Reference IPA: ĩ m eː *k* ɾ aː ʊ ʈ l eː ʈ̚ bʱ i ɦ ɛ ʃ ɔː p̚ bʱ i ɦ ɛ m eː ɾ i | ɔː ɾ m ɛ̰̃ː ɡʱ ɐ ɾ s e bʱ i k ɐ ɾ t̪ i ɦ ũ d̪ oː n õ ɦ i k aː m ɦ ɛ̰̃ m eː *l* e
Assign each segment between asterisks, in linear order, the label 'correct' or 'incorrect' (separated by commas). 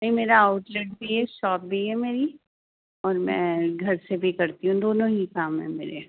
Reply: incorrect, incorrect